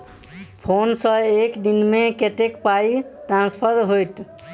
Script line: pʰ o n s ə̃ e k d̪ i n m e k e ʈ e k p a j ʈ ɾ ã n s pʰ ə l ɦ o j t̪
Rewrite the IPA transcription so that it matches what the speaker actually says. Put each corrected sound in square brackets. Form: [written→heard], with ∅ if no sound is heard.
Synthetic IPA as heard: pʰ o n s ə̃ e k d̪ i n m e k e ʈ e k p a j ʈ ɾ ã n s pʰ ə [l→ɾ] ɦ o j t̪